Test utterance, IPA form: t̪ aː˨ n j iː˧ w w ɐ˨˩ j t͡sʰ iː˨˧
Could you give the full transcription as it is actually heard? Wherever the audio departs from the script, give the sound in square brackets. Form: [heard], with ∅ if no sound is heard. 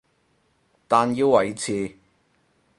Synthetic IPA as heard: t̪ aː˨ n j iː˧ w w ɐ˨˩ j t͡sʰ iː˨˧